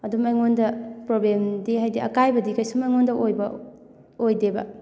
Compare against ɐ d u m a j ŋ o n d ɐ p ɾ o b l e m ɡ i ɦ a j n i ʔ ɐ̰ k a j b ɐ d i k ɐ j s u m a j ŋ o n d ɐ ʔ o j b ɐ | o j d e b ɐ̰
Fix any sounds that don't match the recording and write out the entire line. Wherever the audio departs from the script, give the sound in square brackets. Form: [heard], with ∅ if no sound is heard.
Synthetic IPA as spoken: ɐ d u m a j ŋ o n d ɐ p ɾ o b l e m [d] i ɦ a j [d] i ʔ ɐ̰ k a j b ɐ d i k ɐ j s u m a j ŋ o n d ɐ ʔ o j b ɐ | o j d e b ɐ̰